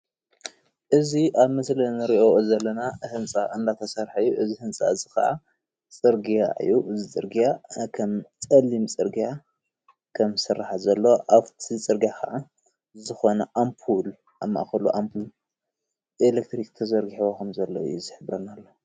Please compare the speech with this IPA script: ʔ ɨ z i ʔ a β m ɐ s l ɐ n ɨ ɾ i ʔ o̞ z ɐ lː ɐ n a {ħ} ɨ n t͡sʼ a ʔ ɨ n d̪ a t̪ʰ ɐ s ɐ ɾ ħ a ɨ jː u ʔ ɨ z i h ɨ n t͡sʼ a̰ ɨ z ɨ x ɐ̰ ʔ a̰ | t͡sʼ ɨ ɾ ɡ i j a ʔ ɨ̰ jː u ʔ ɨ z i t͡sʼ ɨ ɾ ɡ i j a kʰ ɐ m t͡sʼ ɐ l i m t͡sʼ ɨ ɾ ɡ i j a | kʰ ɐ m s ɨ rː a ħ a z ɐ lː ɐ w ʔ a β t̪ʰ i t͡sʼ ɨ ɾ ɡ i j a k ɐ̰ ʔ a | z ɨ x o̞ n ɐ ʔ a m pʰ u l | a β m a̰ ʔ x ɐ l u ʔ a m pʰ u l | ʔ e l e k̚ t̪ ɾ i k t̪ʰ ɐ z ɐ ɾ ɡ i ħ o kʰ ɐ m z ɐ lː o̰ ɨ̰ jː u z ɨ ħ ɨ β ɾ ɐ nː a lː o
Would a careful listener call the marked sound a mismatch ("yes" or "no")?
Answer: yes